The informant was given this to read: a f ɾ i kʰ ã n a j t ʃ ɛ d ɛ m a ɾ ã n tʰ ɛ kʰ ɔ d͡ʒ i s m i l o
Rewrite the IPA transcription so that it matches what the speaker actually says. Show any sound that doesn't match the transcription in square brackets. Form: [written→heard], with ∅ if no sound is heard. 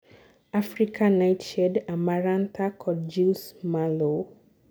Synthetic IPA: a f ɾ i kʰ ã n a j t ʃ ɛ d [ɛ→a] m a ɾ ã n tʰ [ɛ→a] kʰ ɔ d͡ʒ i s m [i→a] l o